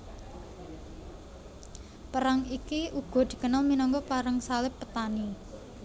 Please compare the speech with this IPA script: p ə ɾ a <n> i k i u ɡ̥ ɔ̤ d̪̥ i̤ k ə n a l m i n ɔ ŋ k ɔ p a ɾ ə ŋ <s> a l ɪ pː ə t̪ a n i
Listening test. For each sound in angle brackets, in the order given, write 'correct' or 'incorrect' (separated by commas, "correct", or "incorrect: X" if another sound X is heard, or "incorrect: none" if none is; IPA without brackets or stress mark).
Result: incorrect: ŋ, correct